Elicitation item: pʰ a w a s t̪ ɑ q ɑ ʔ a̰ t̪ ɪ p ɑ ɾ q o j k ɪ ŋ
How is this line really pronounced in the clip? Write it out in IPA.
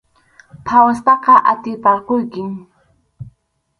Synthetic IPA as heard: pʰ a w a s t̪ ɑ q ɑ ʔ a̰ t̪ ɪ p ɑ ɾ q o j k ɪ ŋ

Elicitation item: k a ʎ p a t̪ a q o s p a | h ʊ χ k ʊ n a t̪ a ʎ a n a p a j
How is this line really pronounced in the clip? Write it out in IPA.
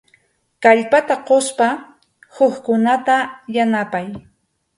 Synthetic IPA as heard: k a ʎ p a t̪ a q o s p a | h ʊ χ k ʊ n a t̪ a j a n a p a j

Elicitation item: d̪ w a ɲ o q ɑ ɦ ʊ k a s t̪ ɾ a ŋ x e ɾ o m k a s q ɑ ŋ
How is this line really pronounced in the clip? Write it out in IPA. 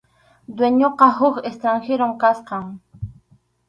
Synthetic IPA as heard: d̪ w e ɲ o q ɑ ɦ ʊ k e s t̪ ɾ a ŋ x e ɾ o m k a s q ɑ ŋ

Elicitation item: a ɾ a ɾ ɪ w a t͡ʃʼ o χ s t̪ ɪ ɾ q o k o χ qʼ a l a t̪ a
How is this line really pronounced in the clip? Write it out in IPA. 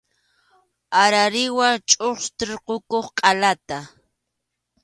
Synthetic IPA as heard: a ɾ a ɾ ɪ w a t͡ʃʼ o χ s t̪ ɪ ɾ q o k o χ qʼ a l a t̪ a

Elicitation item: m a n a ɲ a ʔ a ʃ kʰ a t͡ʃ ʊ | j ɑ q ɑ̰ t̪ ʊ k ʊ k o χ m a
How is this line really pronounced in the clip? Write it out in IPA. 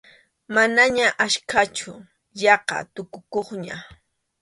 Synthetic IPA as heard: m a n a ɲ a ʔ a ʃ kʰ a t͡ʃ ʊ | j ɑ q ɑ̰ t̪ ʊ k ʊ k o χ ɲ a

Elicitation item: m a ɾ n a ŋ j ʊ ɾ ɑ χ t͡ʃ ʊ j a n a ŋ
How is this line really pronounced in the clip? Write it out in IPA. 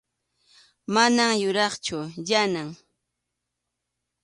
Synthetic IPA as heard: m a n a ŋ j ʊ ɾ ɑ χ t͡ʃ ʊ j a n a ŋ

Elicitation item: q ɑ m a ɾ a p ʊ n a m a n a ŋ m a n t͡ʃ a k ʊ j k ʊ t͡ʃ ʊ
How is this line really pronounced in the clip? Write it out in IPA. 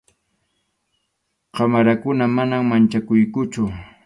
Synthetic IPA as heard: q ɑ m a ɾ a k ʊ n a m a n a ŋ m a n t͡ʃ a k ʊ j k ʊ t͡ʃ ʊ

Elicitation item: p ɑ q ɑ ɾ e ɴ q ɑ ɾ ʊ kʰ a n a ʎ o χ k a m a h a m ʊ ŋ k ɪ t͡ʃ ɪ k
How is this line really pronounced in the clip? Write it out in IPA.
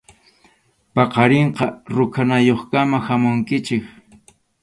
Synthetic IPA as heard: p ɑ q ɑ ɾ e ɴ q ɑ ɾ ʊ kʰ a n a j o χ k a m a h a m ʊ ŋ k ɪ t͡ʃ ɪ k

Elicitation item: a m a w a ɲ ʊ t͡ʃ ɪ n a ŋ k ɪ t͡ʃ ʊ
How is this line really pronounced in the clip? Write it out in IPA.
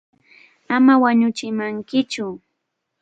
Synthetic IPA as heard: a m a w a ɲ ʊ t͡ʃ ɪ m a ŋ k ɪ t͡ʃ ʊ

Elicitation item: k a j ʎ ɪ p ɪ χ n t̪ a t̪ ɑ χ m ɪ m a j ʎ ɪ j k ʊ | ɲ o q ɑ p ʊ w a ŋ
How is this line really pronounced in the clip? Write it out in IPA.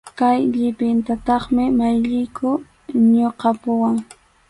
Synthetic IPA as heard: k a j ʎ ɪ p ɪ n t̪ a t̪ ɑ χ m ɪ m a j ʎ ɪ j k ʊ | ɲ o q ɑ p ʊ w a ŋ

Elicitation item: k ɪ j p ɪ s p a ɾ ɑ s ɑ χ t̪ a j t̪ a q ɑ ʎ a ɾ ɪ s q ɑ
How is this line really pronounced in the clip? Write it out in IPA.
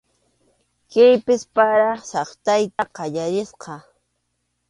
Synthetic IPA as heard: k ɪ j p ɪ s p a ɾ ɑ s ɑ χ t̪ a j t̪ a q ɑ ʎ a ɾ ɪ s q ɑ

